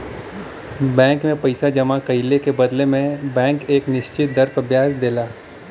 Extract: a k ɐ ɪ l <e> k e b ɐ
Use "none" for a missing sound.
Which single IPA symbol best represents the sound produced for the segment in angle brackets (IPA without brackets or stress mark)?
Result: e